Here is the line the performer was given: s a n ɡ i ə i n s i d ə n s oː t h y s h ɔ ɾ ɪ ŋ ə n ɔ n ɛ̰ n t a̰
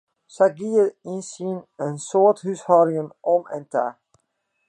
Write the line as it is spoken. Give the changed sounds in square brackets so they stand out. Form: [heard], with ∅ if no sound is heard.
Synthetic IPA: s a [∅] ɡ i ə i n s i [n] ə n s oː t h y s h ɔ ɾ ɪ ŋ ə n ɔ [m] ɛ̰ n t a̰